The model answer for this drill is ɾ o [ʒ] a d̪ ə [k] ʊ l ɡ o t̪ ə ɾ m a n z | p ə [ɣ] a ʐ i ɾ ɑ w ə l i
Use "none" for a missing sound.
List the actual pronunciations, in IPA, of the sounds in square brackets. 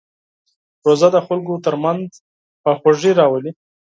z, x, x

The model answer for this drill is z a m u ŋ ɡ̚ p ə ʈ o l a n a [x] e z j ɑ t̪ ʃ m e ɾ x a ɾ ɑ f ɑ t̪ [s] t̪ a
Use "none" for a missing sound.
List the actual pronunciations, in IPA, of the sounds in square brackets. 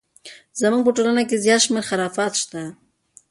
k, ʃ

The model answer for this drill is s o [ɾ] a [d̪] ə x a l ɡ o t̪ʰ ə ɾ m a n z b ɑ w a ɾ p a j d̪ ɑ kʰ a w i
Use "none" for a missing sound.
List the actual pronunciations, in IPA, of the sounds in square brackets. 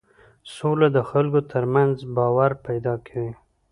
l, d̪

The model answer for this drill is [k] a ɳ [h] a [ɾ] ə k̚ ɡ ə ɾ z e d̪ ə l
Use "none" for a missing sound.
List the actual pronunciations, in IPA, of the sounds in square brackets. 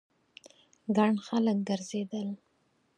ɡ, x, l

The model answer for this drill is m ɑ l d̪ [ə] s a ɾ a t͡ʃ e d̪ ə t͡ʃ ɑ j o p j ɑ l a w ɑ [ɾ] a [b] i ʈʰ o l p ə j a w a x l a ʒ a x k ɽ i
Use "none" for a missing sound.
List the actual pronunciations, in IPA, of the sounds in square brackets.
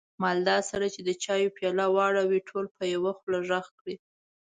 ɑ, ɽ, w

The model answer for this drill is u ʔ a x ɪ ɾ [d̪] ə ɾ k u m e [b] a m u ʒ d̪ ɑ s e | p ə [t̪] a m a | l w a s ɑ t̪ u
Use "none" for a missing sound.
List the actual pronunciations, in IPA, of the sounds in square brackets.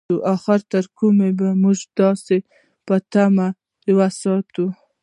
t̪, b, t̪

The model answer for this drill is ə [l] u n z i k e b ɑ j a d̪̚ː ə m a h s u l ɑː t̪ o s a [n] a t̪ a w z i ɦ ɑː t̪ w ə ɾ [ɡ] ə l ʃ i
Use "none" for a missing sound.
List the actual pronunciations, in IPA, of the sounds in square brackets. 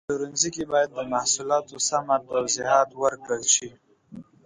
ɾ, m, k

